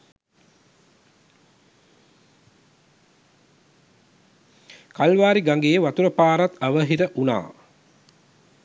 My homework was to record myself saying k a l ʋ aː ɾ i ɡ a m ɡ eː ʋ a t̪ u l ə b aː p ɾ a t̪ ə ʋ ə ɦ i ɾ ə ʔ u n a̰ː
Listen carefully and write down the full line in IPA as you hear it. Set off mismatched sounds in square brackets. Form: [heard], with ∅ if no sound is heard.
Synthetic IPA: k a l ʋ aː ɾ i ɡ a [ŋ] ɡ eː ʋ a t̪ u [ɾ] ə [p] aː [∅] ɾ a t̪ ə ʋ ə ɦ i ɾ ə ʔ u n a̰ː